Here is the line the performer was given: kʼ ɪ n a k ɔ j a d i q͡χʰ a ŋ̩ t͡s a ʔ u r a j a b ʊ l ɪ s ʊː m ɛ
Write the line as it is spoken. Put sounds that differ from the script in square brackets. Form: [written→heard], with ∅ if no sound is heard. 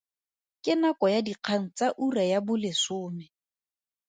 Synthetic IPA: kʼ ɪ n a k ɔ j a d i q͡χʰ a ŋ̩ t͡s a ʔ u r a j a b ʊ l ɪ s ʊː m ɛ

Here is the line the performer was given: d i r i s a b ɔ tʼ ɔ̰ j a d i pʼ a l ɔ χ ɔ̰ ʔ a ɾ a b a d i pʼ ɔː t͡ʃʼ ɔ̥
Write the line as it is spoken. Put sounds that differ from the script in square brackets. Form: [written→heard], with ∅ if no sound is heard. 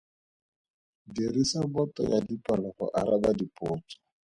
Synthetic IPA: d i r i s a b ɔ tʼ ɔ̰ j a d i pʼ a l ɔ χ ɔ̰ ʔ a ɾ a b a d i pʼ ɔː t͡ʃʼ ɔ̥

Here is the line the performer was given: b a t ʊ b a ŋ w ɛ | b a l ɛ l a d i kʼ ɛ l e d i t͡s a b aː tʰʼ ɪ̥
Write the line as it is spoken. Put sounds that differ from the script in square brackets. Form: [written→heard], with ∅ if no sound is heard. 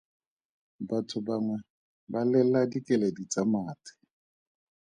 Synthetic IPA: b a [t→tʰ] ʊ b a ŋ w ɛ | b a l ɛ l a d i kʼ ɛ l e d i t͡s a [b→m] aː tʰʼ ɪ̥

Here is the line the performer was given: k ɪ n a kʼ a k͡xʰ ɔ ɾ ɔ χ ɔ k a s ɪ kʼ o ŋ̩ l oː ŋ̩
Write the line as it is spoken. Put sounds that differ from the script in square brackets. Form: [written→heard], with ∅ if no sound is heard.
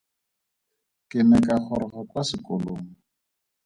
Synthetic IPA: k ɪ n [a→ɛ] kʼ a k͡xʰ ɔ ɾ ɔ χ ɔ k a s ɪ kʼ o [ŋ̩→∅] l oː ŋ̩

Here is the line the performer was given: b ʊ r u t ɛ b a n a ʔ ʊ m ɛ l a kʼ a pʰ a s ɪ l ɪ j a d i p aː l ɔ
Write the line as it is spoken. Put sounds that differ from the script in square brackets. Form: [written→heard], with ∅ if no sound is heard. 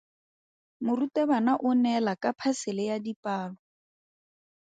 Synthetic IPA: [b→m] ʊ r u t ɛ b a n a ʔ ʊ [m→n] ɛ l a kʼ a pʰ a s ɪ l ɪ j a d i p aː l ɔ

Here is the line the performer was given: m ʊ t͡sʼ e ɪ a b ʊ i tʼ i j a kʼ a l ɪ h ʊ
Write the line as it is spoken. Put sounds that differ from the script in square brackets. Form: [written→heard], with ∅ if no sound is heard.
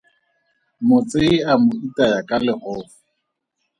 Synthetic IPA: m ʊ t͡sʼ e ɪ a [b→m] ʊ i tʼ [i→a] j a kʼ a l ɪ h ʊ

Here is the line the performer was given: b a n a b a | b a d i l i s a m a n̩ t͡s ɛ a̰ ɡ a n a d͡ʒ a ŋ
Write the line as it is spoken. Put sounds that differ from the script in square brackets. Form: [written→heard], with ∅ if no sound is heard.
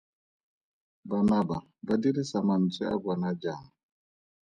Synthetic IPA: b a n a b a | b a d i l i s a m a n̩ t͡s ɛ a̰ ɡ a n a d͡ʒ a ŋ

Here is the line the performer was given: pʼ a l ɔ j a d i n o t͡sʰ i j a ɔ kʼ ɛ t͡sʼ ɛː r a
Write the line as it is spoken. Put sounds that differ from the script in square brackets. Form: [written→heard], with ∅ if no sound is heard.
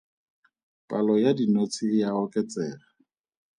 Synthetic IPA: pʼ a l ɔ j a d i n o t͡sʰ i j a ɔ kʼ ɛ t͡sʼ ɛː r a

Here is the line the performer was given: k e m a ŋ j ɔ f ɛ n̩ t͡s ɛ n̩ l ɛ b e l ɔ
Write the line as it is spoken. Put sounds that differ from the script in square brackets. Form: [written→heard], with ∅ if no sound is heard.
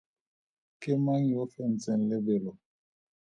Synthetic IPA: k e m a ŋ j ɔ f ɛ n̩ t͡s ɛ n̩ l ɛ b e l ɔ

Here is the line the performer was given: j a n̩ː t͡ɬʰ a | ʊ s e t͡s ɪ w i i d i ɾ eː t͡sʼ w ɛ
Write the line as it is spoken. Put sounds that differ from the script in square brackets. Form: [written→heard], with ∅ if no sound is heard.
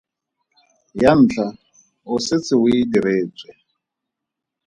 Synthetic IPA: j a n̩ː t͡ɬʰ a | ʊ s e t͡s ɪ w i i d i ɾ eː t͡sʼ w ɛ

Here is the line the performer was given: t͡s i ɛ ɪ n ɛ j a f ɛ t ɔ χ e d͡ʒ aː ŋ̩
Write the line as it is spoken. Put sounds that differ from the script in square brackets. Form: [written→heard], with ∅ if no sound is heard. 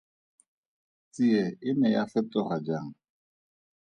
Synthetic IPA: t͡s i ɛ ɪ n ɛ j a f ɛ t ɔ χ [e→a] d͡ʒ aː ŋ̩

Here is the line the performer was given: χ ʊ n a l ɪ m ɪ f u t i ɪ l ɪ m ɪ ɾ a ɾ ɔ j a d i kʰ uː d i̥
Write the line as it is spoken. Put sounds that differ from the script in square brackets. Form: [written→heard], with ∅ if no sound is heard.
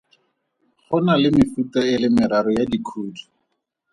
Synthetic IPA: χ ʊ n a l ɪ m ɪ f u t [i→a] ɪ l ɪ m ɪ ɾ a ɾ ɔ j a d i kʰ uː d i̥

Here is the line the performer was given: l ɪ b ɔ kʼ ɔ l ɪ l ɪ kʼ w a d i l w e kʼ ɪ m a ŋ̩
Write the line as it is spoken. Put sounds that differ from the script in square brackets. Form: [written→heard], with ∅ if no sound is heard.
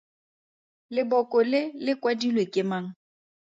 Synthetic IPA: l ɪ b ɔ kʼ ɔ l ɪ l ɪ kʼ w a d i l w e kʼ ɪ m a ŋ̩

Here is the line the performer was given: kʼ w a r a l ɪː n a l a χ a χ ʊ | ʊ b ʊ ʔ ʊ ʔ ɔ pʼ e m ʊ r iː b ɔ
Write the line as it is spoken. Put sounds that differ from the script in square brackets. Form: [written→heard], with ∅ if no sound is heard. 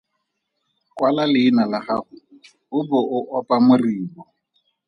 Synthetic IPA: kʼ w a [r→l] a l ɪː n a l a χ a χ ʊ | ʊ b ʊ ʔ ʊ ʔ ɔ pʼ [e→a] m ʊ r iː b ɔ

